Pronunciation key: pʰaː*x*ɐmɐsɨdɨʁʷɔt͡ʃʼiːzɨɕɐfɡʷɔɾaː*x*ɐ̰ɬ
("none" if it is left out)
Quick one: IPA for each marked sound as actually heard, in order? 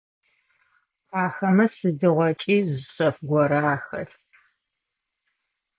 x, x

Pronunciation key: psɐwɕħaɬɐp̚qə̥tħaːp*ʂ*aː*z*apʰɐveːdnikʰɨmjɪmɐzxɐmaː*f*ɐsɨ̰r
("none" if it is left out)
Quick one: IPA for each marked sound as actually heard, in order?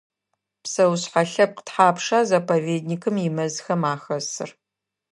ʂ, z, x

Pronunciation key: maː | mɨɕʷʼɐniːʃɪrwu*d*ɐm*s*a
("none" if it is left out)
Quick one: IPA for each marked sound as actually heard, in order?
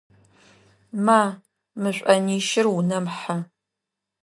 n, ħ

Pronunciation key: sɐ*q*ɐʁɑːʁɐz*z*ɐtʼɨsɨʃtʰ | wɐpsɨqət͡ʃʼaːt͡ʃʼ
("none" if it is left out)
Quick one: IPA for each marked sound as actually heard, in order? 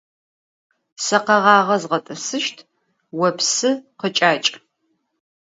q, ʁ

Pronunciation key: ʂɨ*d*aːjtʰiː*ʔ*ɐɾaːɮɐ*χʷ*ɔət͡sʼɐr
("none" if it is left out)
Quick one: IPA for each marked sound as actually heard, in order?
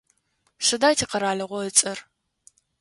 d, q, ʁʷ

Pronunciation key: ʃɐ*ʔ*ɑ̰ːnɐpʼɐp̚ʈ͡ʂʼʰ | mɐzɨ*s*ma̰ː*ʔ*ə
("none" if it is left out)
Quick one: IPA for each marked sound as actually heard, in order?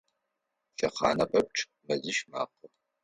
q, ʃ, q

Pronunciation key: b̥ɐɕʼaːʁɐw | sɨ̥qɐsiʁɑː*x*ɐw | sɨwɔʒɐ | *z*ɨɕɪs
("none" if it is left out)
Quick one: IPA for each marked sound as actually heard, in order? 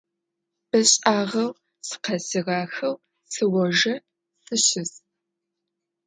x, s

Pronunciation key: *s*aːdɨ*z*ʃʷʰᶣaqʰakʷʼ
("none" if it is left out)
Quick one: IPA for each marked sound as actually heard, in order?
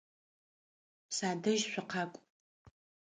s, ʒ

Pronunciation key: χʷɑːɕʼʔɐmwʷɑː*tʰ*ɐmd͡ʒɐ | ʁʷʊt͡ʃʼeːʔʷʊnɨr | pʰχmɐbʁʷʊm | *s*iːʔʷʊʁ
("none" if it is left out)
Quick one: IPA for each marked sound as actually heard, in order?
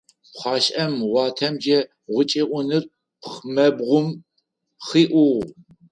tʰ, χ

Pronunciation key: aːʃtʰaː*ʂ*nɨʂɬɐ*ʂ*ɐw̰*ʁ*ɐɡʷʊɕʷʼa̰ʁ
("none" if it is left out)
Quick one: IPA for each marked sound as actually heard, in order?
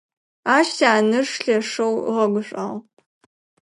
none, ʂ, ʁ

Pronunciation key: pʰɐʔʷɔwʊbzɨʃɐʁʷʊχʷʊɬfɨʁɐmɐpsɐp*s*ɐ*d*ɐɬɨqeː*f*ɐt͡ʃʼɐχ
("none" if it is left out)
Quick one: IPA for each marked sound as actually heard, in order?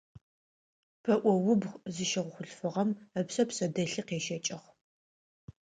s, d, ʃ

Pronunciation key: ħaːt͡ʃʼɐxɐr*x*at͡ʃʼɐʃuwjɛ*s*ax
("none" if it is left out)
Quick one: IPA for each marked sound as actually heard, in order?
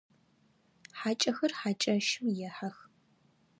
ħ, ħ

